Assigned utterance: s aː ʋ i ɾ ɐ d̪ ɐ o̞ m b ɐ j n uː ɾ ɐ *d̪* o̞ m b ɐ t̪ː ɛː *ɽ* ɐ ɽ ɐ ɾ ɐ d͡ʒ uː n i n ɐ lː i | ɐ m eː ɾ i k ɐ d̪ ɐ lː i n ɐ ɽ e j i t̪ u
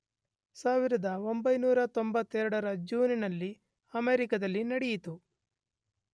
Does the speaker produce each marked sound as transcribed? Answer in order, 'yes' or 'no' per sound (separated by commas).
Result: no, no